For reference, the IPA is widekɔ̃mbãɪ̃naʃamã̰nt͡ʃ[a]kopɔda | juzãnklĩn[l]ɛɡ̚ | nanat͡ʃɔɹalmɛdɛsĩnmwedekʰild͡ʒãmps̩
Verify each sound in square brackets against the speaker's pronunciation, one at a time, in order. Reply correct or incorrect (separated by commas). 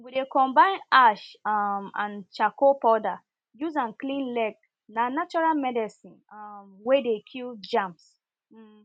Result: correct, correct